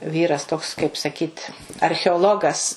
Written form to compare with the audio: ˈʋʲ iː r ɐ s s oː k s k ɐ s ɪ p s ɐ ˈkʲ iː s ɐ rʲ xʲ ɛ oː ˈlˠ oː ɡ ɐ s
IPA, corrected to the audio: ˈʋʲ iː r ɐ s t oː k s k ɐ ɪ p s ɐ ˈkʲ iː t ɐ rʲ xʲ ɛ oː ˈlˠ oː ɡ ɐ s